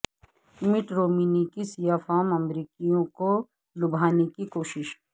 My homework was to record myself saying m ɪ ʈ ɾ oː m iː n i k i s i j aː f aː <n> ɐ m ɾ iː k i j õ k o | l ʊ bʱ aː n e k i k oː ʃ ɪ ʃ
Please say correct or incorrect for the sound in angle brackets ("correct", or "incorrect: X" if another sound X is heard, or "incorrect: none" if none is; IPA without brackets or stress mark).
incorrect: m